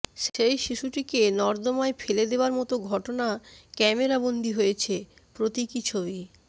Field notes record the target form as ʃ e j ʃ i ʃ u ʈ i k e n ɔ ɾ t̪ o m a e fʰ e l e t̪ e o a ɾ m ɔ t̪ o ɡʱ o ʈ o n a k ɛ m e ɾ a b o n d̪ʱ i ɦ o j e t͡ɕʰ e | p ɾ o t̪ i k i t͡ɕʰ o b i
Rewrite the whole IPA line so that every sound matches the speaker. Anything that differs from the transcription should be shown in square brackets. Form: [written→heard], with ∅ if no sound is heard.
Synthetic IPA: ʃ e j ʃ i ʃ u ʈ i k e n ɔ ɾ [t̪→d̪] o m a e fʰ e l e [t̪→d̪] e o a ɾ m ɔ t̪ o ɡʱ [o→ɔ] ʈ o n a k ɛ m e ɾ a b o n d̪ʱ i ɦ o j e t͡ɕʰ e | p ɾ o t̪ i k i t͡ɕʰ o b i